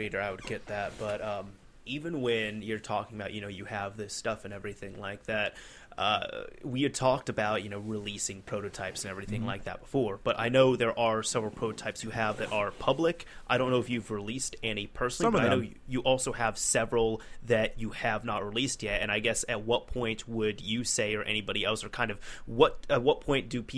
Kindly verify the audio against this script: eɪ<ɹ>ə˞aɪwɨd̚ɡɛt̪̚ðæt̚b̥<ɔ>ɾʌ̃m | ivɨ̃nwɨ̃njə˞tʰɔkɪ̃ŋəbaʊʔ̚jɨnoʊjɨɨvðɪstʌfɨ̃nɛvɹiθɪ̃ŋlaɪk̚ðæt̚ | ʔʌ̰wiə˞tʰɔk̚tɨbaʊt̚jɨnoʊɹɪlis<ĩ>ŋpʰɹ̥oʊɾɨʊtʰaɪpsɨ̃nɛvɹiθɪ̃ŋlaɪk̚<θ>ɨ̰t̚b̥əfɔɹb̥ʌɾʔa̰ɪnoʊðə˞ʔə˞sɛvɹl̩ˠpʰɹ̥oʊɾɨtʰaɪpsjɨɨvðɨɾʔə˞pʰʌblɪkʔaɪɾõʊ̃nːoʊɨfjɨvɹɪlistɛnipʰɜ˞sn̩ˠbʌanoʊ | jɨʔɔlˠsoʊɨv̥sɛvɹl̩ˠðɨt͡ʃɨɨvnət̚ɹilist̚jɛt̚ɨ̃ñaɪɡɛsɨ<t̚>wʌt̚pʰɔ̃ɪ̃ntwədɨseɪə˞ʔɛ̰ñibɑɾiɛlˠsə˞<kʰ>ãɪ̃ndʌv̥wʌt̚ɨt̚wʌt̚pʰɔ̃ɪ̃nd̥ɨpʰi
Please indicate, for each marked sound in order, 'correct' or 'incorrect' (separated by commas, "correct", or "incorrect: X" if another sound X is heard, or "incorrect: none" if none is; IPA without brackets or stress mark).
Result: incorrect: ɾ, incorrect: ʌ, incorrect: ɪ̃, incorrect: ð, correct, correct